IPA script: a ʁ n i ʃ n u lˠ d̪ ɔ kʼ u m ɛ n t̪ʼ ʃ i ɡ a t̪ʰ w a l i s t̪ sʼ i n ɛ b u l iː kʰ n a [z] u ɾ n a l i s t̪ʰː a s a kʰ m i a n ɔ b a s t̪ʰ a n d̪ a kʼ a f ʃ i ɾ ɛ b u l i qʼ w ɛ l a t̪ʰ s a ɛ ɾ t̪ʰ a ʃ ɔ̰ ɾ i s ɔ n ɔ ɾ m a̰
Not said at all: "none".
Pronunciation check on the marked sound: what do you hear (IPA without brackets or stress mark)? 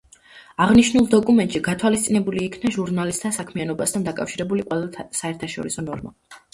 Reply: ʒ